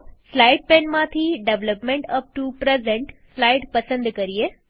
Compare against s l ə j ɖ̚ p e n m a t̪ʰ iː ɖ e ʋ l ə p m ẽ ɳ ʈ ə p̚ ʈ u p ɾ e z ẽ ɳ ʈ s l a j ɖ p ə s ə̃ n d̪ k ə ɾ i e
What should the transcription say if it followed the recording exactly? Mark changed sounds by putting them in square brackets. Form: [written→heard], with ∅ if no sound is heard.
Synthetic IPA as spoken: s l [ə→a] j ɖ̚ p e n m a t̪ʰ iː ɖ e ʋ l ə p m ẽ ɳ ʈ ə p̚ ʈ u p ɾ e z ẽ ɳ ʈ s l a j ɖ p ə s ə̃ n d̪ k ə ɾ i e